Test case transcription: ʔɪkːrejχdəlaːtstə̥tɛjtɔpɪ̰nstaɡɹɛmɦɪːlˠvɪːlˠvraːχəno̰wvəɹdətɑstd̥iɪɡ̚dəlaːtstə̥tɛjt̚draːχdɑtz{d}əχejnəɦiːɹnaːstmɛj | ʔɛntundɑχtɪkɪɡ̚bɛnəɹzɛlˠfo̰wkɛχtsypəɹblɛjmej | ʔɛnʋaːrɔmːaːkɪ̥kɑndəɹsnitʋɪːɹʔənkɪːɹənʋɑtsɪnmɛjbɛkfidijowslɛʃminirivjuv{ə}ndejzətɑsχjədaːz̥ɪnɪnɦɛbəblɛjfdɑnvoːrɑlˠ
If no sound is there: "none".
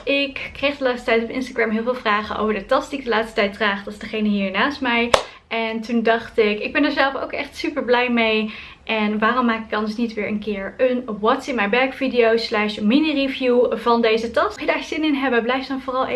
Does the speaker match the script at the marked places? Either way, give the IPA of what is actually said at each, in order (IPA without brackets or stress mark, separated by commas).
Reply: d, ɑ